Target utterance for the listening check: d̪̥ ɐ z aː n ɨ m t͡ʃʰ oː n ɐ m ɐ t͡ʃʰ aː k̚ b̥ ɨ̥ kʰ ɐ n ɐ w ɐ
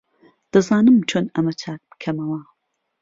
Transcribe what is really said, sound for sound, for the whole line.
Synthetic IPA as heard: d̪̥ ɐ z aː n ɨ m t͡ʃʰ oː n ɐ m ɐ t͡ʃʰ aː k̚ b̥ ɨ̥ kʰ ɐ m ɐ w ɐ